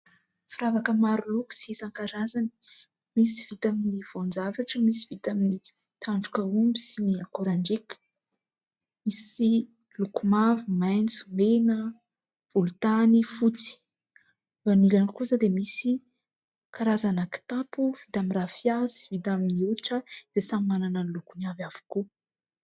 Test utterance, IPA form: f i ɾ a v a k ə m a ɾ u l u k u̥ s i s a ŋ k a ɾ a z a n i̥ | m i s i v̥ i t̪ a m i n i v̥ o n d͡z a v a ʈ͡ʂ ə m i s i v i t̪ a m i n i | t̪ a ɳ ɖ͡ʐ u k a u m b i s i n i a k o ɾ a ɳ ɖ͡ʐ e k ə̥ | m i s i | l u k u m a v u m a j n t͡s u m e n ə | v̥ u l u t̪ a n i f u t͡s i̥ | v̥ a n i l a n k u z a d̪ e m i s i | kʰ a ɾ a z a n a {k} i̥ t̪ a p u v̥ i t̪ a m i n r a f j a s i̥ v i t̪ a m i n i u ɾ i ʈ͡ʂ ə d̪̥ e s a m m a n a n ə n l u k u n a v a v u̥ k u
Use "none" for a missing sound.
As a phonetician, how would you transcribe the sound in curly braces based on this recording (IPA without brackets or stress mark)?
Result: k